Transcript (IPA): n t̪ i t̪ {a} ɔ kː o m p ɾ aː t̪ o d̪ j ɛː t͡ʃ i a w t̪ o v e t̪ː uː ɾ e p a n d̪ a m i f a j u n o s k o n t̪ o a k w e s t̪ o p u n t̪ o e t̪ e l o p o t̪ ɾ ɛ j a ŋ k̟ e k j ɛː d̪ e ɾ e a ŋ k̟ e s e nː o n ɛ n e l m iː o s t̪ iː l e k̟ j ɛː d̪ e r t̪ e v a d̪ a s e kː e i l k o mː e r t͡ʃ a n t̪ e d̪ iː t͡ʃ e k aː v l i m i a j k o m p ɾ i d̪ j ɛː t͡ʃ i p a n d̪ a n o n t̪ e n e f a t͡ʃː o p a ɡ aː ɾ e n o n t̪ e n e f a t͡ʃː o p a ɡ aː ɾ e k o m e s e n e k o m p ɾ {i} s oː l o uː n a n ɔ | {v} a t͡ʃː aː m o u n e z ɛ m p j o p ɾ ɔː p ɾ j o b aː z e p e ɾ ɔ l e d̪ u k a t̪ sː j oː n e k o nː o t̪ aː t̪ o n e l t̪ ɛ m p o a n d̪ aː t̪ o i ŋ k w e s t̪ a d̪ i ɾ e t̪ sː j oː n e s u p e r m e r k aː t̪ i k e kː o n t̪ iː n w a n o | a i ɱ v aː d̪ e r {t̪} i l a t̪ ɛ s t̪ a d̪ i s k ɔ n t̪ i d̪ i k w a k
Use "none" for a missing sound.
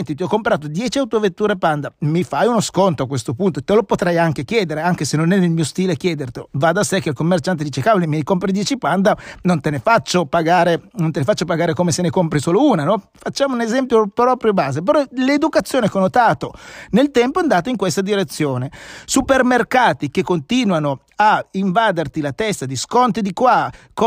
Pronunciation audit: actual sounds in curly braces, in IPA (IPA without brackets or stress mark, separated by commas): i, i, f, t̪